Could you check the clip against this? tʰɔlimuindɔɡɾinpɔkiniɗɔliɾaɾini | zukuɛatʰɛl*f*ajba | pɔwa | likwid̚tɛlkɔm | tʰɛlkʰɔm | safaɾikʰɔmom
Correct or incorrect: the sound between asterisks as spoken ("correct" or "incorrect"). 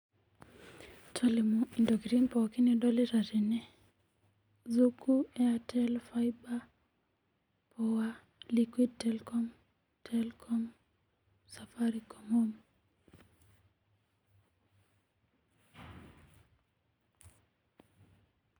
correct